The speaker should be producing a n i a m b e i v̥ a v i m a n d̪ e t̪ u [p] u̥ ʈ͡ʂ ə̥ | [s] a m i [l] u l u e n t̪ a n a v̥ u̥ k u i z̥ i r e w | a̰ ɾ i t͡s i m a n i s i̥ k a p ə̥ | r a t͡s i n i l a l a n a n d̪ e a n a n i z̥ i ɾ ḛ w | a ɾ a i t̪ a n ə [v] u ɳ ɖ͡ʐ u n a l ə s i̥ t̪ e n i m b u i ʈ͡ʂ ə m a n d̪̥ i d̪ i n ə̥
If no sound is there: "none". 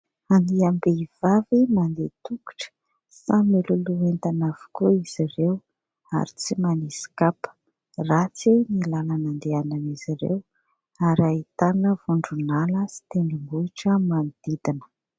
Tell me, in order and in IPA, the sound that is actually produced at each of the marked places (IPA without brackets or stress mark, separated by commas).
k, s, l, v